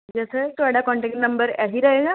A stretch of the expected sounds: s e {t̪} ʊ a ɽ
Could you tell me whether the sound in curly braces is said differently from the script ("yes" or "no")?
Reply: no